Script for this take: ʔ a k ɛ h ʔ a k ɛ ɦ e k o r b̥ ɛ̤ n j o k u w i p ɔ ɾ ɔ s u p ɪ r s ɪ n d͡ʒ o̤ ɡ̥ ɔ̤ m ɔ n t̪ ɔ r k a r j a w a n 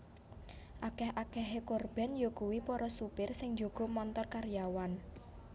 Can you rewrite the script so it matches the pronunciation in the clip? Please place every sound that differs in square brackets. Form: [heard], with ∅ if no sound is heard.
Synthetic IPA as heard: ʔ a k ɛ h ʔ a k ɛ ɦ e k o r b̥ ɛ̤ n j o k u w i p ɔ ɾ ɔ s u p ɪ r s ɪ [ŋ] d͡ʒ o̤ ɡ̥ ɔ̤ m ɔ n t̪ ɔ r k a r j a w a n